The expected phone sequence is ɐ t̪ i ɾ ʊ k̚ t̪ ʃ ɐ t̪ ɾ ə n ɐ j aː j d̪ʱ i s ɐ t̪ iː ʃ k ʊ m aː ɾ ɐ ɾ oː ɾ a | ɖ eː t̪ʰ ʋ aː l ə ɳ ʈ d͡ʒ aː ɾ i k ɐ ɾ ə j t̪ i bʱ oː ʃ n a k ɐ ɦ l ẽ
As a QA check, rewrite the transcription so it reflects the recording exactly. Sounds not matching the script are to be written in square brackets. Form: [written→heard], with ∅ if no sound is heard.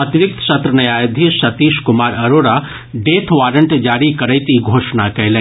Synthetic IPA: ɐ t̪ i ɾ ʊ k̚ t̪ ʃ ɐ t̪ ɾ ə n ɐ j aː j d̪ʱ i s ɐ t̪ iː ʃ k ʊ m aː ɾ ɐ ɾ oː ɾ a | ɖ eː t̪ʰ ʋ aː [l→ɾ] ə ɳ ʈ d͡ʒ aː ɾ i k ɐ ɾ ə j t̪ i [bʱ→ɡʱ] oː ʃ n a k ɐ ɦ l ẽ